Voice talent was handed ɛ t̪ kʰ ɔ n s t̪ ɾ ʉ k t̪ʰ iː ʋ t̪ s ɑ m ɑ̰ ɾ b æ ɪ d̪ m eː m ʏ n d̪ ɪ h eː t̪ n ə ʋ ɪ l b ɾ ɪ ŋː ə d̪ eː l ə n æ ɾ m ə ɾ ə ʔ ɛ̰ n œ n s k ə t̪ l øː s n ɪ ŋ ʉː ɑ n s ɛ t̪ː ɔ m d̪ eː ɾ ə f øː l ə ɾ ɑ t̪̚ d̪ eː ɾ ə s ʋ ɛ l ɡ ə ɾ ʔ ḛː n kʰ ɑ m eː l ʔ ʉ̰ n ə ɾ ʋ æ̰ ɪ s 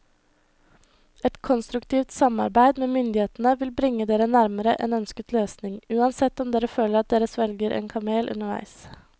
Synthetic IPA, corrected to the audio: ɛ t̪ kʰ ɔ n s t̪ ɾ ʉ k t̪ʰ iː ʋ t̪ s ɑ m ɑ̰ ɾ b æ ɪ d̪ m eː m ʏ n d̪ ɪ h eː t̪ n ə ʋ ɪ l b ɾ ɪ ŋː ə d̪ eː ɾ ə n æ ɾ m ə ɾ ə ʔ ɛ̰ n œ n s k ə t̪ l øː s n ɪ ŋ ʉː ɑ n s ɛ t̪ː ɔ m d̪ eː ɾ ə f øː l ə ɾ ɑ t̪̚ d̪ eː ɾ ə s ʋ ɛ l ɡ ə ɾ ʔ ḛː n kʰ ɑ m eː l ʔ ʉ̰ n ə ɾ ʋ æ̰ ɪ s